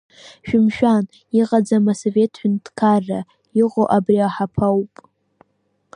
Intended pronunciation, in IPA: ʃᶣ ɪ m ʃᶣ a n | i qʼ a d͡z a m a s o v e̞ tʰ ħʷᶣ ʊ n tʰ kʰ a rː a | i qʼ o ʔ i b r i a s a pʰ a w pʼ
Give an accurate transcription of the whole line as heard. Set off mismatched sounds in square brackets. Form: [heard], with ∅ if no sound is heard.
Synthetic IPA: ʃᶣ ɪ m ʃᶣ a n | i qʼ a d͡z a m a s o v e̞ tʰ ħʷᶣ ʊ n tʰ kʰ a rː a | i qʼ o ʔ [a] b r i a [ħ] a pʰ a w pʼ